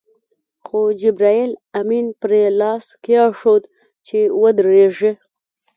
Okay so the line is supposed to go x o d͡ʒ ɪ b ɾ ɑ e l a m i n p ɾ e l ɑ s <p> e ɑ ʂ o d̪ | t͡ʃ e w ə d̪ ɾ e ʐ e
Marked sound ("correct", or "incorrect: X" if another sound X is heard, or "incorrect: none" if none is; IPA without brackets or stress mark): incorrect: k